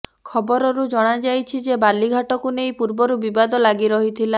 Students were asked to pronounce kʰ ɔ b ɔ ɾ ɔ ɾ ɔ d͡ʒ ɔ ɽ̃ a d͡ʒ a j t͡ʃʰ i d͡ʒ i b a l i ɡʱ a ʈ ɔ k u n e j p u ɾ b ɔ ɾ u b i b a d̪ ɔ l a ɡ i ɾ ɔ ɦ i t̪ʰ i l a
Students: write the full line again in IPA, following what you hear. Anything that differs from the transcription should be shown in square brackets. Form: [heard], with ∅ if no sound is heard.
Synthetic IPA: kʰ ɔ b ɔ ɾ ɔ ɾ [u] d͡ʒ ɔ ɽ̃ a d͡ʒ a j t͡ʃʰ i d͡ʒ [e] b a l i ɡʱ a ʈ ɔ k u n e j p u ɾ b ɔ ɾ u b i b a d̪ ɔ l a ɡ i ɾ ɔ ɦ i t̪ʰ i l a